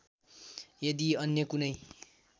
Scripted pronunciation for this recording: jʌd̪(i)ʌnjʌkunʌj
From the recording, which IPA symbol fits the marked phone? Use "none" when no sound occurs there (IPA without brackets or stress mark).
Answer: i